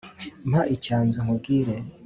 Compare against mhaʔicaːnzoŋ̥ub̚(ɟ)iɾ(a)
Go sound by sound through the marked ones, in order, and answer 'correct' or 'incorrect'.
incorrect: ɡ, incorrect: e

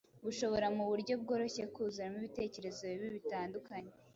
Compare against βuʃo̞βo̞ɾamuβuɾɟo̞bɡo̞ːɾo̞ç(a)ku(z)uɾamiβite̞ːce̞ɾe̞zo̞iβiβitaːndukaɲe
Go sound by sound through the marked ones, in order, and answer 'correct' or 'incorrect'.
incorrect: e, correct

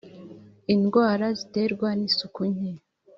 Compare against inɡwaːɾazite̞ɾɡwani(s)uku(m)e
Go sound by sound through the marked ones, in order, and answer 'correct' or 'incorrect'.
correct, incorrect: ɲ

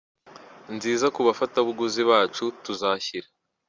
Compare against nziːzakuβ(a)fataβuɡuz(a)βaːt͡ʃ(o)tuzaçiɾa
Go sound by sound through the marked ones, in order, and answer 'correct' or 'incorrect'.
correct, incorrect: i, incorrect: u

